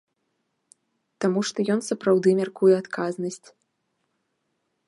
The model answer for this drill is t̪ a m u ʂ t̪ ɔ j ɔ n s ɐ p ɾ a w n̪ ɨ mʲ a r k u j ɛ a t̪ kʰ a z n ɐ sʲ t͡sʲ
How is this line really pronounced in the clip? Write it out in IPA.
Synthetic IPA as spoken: t̪ a m u ʂ t̪ ɔ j ɔ n s ɐ p ɾ a w d̪ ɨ mʲ a r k u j ɛ a t̪ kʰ a z n ɐ sʲ t͡sʲ

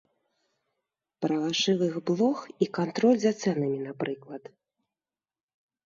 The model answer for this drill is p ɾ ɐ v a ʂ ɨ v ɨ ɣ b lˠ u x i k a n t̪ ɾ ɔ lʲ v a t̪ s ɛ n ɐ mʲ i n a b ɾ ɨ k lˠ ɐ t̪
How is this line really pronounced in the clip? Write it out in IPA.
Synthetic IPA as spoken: p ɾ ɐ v a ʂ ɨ v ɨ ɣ b lˠ ɔ x i k a n t̪ ɾ ɔ lʲ z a t̪ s ɛ n ɐ mʲ i n a p ɾ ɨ k lˠ ɐ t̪

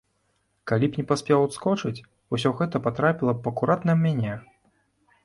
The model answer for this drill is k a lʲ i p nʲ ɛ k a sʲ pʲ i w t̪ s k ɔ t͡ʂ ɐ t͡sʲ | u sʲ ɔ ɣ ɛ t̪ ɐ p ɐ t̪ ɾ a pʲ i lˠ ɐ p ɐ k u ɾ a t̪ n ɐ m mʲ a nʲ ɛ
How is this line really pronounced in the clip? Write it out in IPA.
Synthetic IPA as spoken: k a lʲ i p nʲ ɛ p a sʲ pʲ ɛ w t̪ s k ɔ t͡ʂ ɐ t͡sʲ | u sʲ ɔ ɣ ɛ t̪ ɐ p a t̪ ɾ a pʲ i lˠ ɐ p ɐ k u ɾ a t̪ n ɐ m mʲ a nʲ ɛ

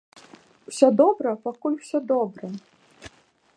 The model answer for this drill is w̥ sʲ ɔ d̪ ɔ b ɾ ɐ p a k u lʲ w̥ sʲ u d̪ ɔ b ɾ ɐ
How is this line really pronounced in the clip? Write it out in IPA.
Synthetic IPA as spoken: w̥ sʲ ɔ d̪ ɔ b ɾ ɐ p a k u lʲ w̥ sʲ ɔ d̪ ɔ b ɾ ɐ

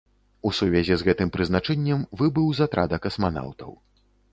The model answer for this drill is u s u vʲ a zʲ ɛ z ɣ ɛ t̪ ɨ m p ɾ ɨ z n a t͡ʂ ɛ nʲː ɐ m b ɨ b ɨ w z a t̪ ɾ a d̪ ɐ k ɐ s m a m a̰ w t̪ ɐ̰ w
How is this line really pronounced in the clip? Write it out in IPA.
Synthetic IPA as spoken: u s u vʲ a zʲ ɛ z ɣ ɛ t̪ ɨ m p ɾ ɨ z n a t͡ʂ ɛ nʲː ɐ m v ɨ b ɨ w z a t̪ ɾ a d̪ ɐ k ɐ s m a n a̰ w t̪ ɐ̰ w

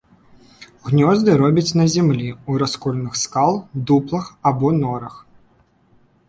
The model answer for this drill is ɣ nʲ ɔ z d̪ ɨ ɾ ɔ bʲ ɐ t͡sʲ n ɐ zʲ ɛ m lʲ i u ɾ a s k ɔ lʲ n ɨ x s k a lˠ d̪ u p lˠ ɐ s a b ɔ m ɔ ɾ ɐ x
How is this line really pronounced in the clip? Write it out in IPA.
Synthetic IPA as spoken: ɣ nʲ ɔ z d̪ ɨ ɾ ɔ bʲ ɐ t͡sʲ n ɐ zʲ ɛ m lʲ i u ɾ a s k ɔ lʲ n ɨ x s k a lˠ d̪ u p lˠ ɐ x a b ɔ n ɔ ɾ ɐ x

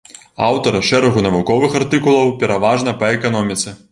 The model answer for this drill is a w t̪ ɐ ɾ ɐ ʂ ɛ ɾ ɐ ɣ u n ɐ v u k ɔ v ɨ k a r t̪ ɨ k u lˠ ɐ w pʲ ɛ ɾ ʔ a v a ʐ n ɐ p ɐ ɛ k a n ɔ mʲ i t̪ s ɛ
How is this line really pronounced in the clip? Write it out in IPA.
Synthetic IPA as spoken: a w t̪ ɐ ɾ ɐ ʂ ɛ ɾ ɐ ɣ u n ɐ v u k ɔ v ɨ x a r t̪ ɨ k u lˠ ɐ w pʲ ɛ ɾ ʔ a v a ʐ n ɐ p ɐ ɛ k a n ɔ mʲ i t̪ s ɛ

